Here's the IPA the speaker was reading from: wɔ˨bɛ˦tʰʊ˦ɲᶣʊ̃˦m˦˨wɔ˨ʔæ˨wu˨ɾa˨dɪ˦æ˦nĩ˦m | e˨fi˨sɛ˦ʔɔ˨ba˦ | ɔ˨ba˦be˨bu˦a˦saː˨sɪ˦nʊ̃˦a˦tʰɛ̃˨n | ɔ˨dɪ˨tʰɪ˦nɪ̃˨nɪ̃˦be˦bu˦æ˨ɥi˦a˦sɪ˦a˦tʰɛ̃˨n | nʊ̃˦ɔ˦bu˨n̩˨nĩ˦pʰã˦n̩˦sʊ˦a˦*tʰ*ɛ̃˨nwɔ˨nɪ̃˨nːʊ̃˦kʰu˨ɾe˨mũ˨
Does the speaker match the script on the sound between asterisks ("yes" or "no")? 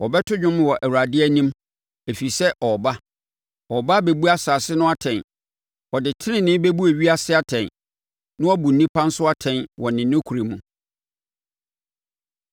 yes